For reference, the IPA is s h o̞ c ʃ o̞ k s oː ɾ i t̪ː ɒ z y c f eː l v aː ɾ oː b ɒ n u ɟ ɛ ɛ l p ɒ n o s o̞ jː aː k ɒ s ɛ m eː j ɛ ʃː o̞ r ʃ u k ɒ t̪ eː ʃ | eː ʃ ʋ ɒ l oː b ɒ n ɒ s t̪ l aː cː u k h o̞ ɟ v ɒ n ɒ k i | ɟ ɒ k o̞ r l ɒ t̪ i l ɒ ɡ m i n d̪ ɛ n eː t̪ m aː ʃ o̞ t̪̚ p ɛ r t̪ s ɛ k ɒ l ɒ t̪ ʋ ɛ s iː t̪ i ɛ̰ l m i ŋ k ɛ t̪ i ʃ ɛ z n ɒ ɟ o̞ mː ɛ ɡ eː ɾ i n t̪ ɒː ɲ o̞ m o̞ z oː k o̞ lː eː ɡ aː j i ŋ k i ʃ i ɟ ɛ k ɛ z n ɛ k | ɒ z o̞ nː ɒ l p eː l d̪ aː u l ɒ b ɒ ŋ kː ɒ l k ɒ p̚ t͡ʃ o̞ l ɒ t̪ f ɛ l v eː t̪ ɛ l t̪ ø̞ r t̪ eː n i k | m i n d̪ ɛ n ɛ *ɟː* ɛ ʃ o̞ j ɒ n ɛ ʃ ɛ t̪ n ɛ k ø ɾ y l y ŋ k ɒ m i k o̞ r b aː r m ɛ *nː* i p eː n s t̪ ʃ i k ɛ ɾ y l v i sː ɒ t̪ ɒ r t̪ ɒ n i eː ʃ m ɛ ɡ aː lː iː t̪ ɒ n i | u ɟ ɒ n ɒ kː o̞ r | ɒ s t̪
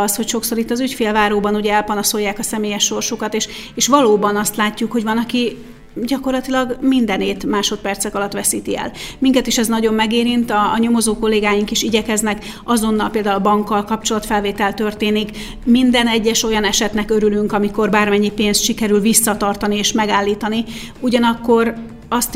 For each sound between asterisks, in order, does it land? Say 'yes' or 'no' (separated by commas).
yes, no